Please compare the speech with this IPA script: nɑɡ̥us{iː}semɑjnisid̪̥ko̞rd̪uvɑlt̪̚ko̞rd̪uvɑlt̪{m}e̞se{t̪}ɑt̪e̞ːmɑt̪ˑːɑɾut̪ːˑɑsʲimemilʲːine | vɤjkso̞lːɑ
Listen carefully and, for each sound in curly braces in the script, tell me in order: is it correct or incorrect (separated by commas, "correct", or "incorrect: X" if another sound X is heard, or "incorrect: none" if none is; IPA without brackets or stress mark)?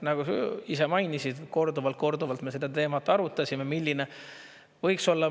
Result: incorrect: i, correct, incorrect: d̪